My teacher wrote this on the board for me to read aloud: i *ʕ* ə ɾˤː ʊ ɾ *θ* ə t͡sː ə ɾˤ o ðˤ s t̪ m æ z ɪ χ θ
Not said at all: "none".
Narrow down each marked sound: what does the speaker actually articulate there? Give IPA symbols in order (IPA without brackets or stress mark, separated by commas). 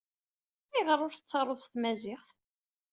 ʁ, θ